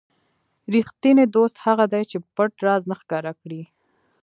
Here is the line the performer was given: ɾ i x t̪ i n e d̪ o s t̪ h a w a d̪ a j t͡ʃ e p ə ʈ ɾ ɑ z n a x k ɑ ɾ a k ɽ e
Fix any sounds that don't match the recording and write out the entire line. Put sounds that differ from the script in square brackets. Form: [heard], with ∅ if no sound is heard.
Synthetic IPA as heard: ɾ i x t̪ i n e d̪ o s t̪ h a [ɣ] a d̪ a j t͡ʃ e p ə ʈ ɾ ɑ z n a x k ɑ ɾ a k ɽ [i]